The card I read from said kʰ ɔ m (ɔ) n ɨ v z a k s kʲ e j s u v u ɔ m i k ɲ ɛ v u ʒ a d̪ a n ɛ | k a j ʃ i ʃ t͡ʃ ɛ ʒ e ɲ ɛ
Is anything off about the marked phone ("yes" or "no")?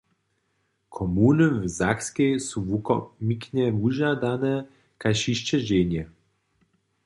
yes